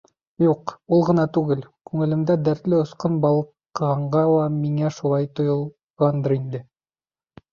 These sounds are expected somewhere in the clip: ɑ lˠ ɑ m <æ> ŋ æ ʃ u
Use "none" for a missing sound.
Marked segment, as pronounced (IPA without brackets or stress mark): i